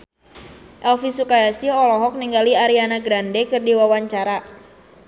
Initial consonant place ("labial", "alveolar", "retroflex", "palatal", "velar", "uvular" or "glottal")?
glottal